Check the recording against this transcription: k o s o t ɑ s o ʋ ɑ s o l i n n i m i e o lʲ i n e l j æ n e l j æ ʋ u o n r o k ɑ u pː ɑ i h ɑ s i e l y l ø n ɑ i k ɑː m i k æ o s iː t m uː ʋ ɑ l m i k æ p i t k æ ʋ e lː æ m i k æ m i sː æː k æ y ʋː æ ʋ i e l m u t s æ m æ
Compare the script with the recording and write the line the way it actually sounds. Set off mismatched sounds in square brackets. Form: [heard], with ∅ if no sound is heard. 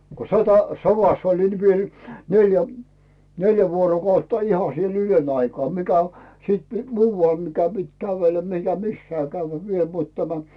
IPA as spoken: k o s o t ɑ s o ʋ ɑ s o l i n n i m i e o lʲ i n e l j æ n e l j æ ʋ u o [∅] r o k ɑ u [tː] ɑ i h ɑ s i e l y l ø n ɑ i k ɑː m i k æ o s iː t m uː ʋ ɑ l m i k æ p i t k æ ʋ e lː æ m i k æ m i sː æː k æ y ʋː æ ʋ i e l m u t [t] æ m æ